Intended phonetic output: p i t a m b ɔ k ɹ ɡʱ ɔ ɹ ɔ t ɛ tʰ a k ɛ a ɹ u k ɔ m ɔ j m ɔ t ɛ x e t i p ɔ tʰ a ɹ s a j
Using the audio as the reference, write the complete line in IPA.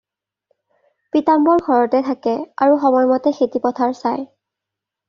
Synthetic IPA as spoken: p i t a m b ɔ ɹ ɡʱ ɔ ɹ ɔ t ɛ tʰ a k ɛ a ɹ u x ɔ m ɔ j m ɔ t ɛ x e t i p ɔ tʰ a ɹ s a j